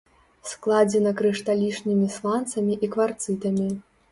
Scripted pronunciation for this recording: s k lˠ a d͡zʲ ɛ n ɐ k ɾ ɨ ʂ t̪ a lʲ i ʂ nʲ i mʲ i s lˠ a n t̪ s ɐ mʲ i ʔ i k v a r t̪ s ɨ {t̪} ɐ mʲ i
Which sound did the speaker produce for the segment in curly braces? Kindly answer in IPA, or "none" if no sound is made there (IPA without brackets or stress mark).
t̪